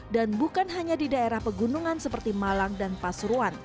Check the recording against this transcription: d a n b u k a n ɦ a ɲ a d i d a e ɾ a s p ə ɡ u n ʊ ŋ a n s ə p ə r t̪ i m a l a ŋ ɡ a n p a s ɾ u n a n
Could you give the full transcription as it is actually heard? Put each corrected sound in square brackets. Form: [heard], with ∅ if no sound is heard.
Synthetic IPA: d a n b u k a n ɦ a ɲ a d i d a e ɾ a [h] p ə ɡ u n [u] ŋ a n s ə p ə r t̪ i m a l a ŋ [d] a n p a s ɾ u [∅] a n